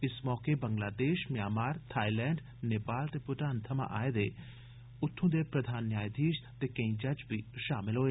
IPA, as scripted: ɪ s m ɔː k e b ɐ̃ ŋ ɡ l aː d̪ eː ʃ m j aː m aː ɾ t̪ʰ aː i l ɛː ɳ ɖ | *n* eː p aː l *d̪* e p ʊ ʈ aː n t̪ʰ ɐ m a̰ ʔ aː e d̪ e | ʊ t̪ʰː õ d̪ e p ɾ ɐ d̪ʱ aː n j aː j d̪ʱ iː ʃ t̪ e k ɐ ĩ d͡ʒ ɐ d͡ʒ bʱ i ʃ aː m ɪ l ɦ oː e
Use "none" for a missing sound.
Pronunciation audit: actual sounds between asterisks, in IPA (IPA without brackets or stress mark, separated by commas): n, t̪